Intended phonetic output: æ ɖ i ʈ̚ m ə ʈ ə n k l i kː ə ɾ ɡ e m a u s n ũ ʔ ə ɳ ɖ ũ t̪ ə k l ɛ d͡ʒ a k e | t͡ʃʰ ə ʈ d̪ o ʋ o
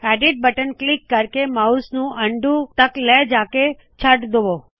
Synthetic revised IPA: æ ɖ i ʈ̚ b ə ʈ ə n k l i kː ə ɾ k e m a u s n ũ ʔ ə ɳ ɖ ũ t̪ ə k l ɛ d͡ʒ a k e | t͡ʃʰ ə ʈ d̪ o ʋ o